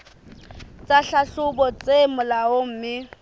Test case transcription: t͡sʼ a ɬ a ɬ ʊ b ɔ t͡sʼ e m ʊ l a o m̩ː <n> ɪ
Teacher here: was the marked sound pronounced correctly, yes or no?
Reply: no